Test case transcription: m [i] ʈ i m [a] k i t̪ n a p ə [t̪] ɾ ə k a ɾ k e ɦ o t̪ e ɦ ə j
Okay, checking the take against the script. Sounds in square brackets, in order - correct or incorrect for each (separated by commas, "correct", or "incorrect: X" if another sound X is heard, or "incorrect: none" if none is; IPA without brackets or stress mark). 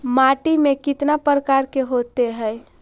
incorrect: a, incorrect: e, incorrect: none